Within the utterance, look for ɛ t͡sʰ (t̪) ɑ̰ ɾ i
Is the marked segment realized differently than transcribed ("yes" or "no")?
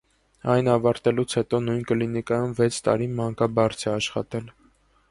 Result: no